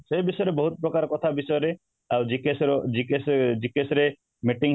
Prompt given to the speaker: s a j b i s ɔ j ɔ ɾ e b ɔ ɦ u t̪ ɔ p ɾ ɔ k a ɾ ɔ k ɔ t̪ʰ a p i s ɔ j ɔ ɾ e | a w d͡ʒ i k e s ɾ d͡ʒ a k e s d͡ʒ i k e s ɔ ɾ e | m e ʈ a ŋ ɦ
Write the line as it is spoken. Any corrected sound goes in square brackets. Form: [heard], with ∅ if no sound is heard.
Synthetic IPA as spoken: s [e] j b i s ɔ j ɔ ɾ e b ɔ ɦ u t̪ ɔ p ɾ ɔ k a ɾ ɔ k ɔ t̪ʰ a [b] i s ɔ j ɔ ɾ e | a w d͡ʒ i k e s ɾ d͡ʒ [i] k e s d͡ʒ i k e s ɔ ɾ e | m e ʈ [i] ŋ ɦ